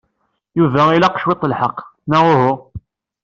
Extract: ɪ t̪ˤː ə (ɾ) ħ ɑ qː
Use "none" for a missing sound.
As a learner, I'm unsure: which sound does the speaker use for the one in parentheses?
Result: l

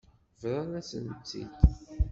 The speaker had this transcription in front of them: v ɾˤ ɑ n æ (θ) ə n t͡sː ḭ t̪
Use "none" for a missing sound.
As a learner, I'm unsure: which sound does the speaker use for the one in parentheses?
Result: s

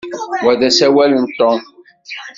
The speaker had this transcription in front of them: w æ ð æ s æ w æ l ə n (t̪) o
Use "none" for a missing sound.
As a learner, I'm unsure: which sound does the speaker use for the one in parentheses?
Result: t̪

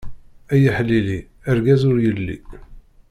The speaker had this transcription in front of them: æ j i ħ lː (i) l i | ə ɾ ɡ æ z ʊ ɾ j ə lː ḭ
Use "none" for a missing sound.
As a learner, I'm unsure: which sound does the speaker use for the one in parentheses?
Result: i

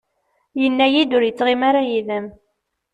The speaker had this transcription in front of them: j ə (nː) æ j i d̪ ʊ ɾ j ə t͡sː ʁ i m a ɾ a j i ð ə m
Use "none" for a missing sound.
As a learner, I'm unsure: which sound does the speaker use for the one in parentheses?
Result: nː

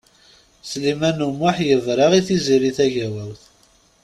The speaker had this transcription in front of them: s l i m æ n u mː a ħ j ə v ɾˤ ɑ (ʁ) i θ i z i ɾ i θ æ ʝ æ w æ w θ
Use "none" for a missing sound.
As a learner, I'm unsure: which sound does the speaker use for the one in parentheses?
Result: ʁ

